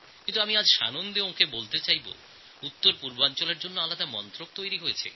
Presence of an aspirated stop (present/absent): present